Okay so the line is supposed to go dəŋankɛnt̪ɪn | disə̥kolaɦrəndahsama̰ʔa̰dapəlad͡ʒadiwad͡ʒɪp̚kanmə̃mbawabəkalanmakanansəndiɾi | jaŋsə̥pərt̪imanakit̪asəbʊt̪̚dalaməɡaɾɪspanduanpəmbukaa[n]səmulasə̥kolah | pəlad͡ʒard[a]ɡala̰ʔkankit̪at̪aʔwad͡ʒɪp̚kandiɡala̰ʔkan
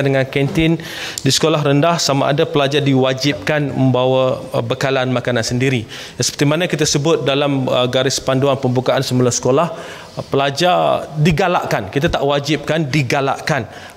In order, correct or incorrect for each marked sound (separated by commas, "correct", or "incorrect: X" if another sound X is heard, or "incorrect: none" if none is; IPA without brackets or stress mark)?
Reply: correct, incorrect: i